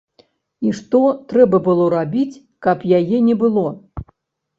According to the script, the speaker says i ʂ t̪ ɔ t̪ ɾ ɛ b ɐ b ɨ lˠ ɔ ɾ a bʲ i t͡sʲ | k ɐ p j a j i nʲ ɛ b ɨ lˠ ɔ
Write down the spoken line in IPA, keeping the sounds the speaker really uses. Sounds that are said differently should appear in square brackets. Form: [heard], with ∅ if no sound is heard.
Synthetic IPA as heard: i ʂ t̪ ɔ t̪ ɾ ɛ b ɐ b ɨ lˠ ɔ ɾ a bʲ i t͡sʲ | k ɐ p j a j [ɛ] nʲ ɛ b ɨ lˠ ɔ